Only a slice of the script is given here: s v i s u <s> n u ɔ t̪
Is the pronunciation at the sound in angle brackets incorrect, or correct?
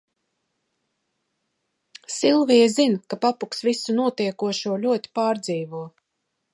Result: incorrect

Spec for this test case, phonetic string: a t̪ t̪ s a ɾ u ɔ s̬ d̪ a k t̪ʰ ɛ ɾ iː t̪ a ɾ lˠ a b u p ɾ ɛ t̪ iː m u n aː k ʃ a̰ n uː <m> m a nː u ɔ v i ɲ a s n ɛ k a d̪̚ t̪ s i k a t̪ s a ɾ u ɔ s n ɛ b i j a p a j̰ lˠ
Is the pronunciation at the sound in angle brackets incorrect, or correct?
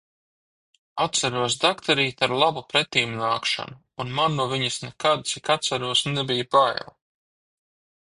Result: incorrect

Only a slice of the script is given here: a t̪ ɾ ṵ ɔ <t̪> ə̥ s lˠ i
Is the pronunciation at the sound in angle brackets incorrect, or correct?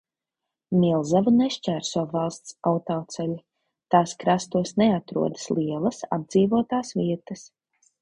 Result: incorrect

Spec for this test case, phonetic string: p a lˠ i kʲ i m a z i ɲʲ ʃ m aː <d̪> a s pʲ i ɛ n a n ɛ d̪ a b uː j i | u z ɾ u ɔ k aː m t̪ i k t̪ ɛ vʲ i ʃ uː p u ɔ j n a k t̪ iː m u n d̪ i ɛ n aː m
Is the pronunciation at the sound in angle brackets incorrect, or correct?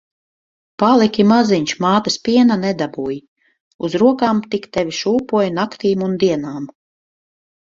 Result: incorrect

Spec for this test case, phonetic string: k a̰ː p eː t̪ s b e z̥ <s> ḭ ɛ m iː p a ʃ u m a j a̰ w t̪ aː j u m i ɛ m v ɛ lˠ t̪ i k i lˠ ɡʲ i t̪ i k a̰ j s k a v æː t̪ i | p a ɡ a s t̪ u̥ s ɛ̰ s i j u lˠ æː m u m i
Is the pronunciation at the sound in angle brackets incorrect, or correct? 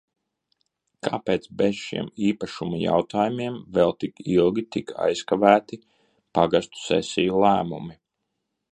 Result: incorrect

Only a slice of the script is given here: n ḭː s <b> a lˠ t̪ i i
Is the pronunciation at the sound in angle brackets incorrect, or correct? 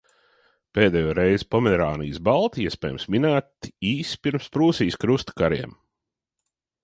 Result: correct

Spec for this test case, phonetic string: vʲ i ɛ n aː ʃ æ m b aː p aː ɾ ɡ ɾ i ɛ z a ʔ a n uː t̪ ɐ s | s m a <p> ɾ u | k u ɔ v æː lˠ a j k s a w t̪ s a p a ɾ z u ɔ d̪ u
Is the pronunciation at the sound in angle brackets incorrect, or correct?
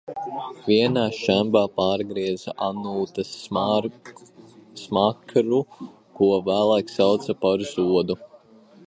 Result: incorrect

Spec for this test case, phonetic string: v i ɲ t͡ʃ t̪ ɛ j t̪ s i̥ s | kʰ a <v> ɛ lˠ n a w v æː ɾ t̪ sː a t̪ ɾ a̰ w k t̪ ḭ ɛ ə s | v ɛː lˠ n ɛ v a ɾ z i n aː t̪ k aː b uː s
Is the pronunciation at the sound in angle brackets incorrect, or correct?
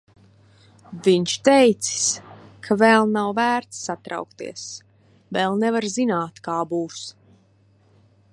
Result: correct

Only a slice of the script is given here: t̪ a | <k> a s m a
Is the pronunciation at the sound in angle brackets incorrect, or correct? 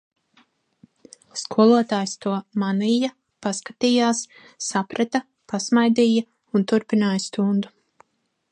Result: incorrect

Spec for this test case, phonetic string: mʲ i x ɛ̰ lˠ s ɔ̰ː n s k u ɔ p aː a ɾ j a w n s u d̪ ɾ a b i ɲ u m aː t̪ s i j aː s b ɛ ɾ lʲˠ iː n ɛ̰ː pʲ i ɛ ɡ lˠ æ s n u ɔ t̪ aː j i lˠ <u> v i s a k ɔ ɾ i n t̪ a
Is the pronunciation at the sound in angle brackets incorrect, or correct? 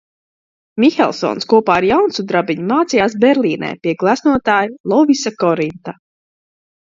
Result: incorrect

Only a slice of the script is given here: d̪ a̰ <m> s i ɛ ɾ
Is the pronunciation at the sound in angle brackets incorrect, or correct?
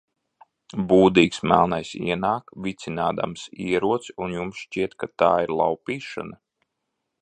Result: correct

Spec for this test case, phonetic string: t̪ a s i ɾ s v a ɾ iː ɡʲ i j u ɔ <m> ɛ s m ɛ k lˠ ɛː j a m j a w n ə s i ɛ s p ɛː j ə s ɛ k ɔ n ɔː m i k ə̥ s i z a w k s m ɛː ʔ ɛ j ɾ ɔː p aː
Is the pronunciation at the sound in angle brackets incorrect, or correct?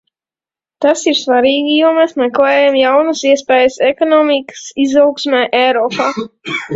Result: correct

